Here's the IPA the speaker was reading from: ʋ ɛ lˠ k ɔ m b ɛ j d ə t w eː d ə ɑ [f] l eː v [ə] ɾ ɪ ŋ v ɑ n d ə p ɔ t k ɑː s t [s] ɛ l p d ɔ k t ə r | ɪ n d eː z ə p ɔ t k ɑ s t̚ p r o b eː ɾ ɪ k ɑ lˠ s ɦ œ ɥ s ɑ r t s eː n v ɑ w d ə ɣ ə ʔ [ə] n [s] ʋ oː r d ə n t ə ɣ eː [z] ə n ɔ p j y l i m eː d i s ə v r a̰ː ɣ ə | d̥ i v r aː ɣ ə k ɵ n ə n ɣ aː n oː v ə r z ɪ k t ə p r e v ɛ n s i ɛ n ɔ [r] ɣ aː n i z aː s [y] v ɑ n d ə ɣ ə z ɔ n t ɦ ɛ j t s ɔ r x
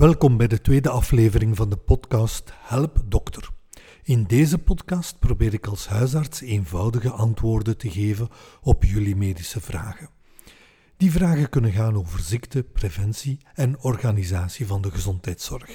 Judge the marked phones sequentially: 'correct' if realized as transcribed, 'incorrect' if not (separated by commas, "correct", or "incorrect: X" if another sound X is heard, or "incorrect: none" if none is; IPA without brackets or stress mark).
correct, correct, incorrect: h, incorrect: ɑ, incorrect: t, incorrect: v, correct, incorrect: i